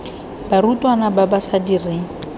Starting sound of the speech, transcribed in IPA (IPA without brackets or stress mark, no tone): b